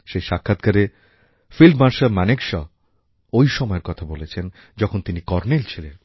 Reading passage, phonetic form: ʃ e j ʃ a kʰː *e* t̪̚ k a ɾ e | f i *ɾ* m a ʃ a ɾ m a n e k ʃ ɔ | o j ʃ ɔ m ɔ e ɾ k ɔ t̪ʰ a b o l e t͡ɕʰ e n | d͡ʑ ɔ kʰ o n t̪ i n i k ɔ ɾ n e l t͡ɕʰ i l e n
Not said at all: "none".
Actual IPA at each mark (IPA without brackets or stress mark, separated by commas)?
a, l